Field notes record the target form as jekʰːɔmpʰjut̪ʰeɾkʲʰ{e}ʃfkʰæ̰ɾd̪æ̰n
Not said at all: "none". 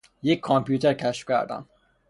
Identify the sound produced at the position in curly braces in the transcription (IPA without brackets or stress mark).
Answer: æ